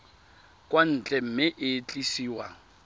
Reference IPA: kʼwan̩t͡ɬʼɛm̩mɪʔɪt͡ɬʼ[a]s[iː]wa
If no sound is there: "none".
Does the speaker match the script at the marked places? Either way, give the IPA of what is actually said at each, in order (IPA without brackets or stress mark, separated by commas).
i, iː